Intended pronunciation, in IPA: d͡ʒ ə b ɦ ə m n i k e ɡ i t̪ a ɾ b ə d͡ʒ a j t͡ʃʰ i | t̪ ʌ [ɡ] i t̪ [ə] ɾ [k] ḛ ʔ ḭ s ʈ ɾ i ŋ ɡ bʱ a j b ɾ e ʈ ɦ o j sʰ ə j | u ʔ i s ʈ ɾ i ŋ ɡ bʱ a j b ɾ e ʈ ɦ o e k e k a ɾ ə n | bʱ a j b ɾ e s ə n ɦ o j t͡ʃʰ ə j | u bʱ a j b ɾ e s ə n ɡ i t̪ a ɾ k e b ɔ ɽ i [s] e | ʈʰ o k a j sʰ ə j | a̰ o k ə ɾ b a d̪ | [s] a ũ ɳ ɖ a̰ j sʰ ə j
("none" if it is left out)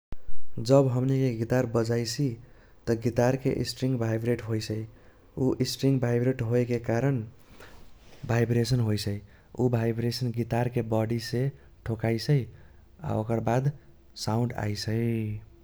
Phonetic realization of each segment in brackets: ɡ, a, k, s, s

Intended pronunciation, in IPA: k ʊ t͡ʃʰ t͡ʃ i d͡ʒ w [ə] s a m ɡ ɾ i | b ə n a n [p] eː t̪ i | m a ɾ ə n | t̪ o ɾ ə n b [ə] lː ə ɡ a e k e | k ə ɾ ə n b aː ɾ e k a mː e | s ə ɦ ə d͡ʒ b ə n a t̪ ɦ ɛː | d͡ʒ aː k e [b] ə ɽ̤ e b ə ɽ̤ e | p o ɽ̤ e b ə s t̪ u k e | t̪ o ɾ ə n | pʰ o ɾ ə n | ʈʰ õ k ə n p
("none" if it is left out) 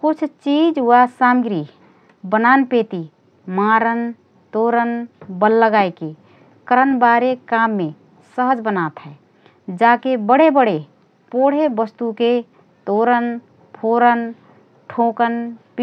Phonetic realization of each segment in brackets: a, p, ə, b

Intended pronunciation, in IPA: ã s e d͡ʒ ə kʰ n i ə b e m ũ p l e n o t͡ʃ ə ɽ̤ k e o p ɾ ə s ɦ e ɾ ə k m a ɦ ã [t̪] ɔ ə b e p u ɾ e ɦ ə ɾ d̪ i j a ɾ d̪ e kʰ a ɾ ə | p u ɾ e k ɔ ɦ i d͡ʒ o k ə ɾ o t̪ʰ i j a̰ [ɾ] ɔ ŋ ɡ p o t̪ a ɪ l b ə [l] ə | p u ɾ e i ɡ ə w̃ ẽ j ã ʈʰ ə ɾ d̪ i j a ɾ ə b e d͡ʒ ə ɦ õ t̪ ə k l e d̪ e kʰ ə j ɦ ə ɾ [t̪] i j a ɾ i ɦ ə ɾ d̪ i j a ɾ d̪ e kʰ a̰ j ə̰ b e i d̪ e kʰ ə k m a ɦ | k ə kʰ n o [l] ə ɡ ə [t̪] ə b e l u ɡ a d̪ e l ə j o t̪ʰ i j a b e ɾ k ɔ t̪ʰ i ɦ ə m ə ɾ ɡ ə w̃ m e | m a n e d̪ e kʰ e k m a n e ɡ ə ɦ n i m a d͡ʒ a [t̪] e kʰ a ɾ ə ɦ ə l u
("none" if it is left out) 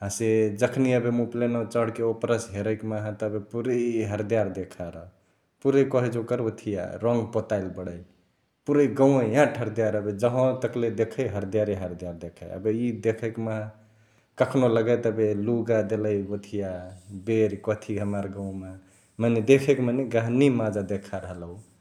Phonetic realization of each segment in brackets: t̪, ɾ, ɽ, d̪, l, t̪, d̪

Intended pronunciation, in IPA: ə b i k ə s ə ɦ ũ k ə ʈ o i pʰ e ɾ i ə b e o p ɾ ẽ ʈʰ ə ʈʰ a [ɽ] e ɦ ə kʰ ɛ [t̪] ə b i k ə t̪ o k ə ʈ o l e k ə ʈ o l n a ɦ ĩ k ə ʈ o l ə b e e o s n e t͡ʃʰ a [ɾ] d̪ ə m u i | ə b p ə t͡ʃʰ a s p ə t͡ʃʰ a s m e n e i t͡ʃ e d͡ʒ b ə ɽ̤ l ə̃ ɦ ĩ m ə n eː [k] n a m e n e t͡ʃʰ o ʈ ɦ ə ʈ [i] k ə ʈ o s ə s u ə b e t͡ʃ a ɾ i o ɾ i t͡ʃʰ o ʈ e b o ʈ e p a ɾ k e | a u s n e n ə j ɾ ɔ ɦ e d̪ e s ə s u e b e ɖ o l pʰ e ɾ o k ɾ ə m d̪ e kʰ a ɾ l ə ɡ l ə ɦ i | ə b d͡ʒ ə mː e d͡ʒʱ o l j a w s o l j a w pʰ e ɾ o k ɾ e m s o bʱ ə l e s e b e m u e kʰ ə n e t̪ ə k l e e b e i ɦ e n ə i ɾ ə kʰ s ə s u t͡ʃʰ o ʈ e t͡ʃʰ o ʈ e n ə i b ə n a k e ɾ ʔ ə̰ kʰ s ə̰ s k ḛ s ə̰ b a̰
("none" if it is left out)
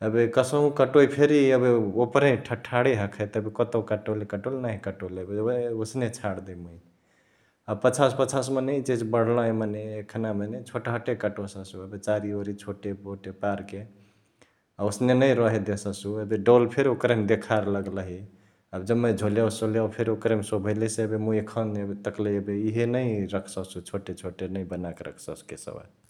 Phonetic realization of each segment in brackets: ɽ, t̪, ɽ, kʰ, e

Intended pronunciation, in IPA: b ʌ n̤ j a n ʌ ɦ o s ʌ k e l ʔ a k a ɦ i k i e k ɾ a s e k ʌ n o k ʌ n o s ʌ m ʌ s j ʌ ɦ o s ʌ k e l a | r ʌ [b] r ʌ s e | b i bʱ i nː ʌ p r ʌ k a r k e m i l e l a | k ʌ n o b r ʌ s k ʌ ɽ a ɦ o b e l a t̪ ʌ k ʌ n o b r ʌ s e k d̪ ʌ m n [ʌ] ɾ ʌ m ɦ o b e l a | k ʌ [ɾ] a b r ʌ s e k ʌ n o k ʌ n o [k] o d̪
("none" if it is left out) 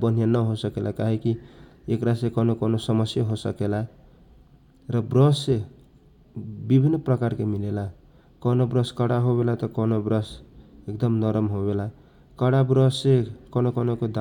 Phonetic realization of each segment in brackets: b, ʌ, ɽ, k

